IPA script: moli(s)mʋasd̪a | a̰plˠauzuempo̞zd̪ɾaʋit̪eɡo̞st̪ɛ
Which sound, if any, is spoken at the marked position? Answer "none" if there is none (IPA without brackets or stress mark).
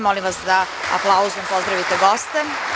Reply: none